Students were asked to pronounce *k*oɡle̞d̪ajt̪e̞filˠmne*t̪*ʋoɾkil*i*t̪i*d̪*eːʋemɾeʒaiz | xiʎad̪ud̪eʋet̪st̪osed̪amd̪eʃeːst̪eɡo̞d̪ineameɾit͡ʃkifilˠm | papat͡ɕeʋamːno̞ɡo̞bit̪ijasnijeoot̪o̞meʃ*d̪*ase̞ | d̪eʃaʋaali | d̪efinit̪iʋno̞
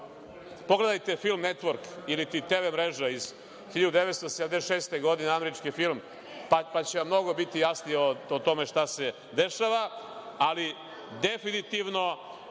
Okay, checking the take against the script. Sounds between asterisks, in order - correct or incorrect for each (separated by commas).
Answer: incorrect, correct, correct, incorrect, incorrect